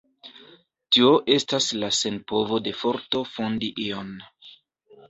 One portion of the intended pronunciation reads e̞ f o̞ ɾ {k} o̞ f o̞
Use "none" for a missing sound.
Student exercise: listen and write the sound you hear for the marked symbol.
t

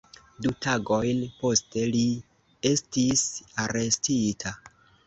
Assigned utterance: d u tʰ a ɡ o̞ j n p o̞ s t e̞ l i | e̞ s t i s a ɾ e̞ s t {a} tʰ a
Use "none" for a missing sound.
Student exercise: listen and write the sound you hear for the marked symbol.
i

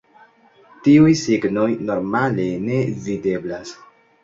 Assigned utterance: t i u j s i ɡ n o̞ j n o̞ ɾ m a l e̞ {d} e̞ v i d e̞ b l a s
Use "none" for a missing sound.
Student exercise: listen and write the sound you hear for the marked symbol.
n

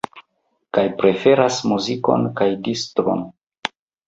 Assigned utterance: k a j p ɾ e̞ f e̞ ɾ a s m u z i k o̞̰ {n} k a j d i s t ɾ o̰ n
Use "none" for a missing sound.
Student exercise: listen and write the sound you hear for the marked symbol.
n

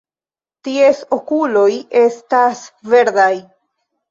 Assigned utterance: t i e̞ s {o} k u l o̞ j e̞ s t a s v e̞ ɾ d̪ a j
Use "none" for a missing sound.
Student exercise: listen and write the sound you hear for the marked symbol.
o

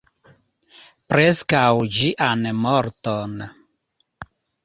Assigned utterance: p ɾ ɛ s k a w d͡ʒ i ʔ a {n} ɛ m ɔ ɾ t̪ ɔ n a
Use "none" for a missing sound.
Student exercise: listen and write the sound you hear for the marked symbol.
n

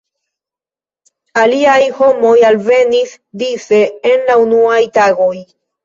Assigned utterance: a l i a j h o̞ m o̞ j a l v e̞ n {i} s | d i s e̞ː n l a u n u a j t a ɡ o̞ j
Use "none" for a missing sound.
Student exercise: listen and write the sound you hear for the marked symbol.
i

